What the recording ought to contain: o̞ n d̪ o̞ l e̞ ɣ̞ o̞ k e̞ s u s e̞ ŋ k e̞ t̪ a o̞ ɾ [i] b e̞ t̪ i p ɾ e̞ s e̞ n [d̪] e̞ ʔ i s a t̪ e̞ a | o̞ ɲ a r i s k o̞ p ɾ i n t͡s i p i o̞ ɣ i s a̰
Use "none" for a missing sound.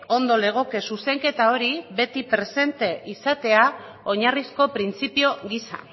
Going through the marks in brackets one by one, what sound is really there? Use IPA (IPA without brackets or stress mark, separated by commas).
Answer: i, t̪